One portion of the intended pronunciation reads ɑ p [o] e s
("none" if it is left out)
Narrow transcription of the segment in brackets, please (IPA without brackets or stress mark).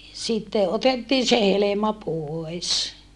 o